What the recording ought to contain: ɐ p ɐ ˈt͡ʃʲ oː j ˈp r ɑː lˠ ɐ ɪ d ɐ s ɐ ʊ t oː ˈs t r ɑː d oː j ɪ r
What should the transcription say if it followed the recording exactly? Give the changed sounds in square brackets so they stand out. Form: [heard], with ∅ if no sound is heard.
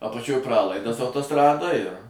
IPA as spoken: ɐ p ɐ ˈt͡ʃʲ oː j ˈp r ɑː lˠ ɐ ɪ d ɐ s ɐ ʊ t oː ˈs t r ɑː d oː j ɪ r